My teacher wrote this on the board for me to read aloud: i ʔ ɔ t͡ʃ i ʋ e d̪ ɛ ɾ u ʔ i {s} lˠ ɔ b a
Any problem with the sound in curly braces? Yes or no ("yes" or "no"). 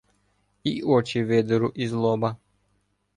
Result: yes